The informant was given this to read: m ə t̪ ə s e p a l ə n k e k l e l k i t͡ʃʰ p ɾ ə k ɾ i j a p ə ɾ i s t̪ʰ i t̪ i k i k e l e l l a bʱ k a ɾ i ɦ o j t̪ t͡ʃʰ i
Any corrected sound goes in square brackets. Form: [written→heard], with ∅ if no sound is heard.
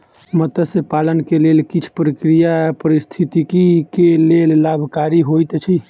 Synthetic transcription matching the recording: m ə t̪ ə s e p a l ə n k e [k→∅] l e l k i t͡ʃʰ p ɾ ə k ɾ i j a p ə ɾ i s t̪ʰ i t̪ i k i k e l e l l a bʱ k a ɾ i ɦ o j t̪ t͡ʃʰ i